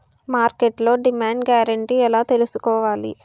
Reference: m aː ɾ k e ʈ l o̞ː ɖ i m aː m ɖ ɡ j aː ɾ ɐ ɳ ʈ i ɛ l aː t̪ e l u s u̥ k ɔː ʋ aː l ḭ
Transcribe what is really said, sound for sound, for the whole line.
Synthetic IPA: m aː ɾ k e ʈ l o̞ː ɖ i m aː ɳ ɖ ɡ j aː ɾ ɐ ɳ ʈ i ɛ l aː t̪ e l u s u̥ k ɔː ʋ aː l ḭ